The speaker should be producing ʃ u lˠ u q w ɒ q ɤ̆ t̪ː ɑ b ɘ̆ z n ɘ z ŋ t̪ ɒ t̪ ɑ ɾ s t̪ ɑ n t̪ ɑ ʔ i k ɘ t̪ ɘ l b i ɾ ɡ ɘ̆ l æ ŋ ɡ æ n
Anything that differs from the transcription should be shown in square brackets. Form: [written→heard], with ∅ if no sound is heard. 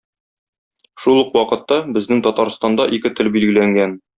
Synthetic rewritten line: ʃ u lˠ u q w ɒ q ɤ̆ t̪ː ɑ b ɘ̆ z n ɘ [z→∅] ŋ t̪ ɒ t̪ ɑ ɾ s t̪ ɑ n [t̪→d̪] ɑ ʔ i k ɘ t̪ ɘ l b i [ɾ→l] ɡ ɘ̆ l æ ŋ ɡ æ n